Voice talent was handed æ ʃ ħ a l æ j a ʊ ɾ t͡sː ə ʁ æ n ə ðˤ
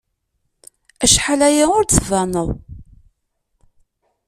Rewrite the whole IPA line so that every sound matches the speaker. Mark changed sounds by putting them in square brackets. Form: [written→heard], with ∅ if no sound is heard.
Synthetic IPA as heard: æ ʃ ħ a l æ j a ʊ ɾ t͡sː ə [ʁ→v] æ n ə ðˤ